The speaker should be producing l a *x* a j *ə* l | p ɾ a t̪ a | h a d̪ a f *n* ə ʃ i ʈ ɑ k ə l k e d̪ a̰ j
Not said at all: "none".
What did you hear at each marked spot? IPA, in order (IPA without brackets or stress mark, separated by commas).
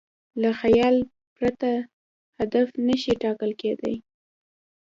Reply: x, ɑ, n